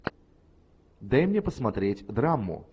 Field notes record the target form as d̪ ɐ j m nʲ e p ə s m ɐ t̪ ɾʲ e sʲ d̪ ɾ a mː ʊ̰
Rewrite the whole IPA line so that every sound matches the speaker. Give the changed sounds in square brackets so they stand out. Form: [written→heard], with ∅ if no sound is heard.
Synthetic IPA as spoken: d̪ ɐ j m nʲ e p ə s m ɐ t̪ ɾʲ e [sʲ→tʲ] d̪ ɾ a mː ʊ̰